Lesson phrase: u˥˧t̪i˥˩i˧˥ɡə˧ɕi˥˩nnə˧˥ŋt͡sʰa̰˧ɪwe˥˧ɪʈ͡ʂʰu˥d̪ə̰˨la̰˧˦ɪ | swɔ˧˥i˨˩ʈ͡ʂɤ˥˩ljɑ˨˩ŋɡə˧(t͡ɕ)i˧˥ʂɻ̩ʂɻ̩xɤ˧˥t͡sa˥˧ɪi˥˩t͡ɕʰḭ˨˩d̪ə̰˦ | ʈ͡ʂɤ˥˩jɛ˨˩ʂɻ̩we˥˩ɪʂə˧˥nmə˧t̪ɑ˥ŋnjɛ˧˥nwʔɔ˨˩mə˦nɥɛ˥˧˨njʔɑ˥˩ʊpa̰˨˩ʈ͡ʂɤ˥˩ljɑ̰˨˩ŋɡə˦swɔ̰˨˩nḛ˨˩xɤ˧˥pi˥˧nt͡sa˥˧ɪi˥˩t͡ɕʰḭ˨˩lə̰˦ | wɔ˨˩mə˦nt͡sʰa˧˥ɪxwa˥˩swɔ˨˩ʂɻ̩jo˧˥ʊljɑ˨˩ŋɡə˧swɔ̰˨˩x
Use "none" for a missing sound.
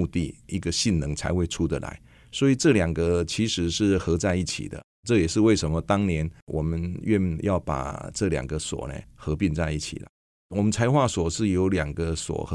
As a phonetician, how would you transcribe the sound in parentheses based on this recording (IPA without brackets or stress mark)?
t͡ɕʰ